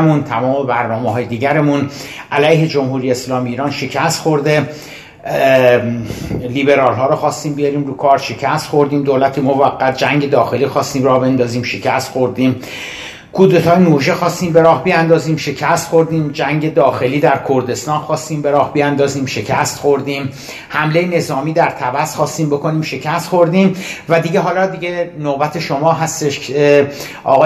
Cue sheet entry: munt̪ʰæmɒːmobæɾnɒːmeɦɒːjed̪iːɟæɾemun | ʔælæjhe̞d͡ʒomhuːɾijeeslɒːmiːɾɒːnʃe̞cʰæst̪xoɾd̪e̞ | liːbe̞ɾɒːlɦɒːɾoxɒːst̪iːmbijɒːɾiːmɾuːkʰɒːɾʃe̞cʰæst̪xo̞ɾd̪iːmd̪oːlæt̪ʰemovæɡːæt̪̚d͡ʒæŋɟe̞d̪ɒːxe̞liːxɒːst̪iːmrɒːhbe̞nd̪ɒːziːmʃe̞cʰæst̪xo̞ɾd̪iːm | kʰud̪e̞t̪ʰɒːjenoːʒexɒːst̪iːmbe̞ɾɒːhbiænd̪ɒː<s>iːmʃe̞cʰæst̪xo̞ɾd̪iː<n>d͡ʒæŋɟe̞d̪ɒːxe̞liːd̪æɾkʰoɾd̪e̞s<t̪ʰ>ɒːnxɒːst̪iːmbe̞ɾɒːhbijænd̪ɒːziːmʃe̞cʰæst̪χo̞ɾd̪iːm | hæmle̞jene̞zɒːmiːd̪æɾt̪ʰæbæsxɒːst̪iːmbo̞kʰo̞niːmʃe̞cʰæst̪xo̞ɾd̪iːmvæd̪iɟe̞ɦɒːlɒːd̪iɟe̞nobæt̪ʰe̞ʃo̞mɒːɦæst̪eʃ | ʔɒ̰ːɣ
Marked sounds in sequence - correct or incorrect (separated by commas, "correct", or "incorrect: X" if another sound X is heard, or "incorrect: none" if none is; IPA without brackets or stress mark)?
incorrect: z, incorrect: m, incorrect: t̪